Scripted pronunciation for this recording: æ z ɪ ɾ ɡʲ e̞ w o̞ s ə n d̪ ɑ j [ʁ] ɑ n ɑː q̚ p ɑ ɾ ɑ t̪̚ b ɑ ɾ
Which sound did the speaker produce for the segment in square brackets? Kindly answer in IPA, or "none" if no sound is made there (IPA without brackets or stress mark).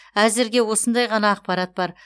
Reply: ʁ